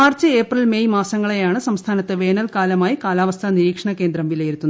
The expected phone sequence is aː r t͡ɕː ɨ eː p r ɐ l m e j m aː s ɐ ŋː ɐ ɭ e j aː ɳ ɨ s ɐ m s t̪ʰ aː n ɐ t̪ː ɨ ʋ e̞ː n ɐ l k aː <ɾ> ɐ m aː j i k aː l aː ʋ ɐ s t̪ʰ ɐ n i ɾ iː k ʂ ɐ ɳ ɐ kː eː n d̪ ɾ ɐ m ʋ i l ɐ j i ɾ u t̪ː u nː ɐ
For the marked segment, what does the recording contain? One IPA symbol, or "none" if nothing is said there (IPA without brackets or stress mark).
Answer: l